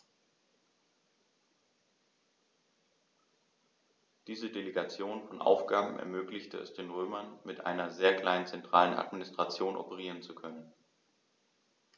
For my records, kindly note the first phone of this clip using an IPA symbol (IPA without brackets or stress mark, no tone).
d̥